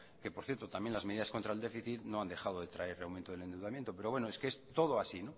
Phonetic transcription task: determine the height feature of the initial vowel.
mid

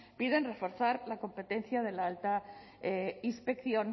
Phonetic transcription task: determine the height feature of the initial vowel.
high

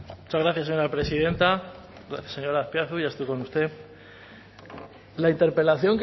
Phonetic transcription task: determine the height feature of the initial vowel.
high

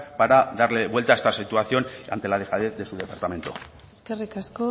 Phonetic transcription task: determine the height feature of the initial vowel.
low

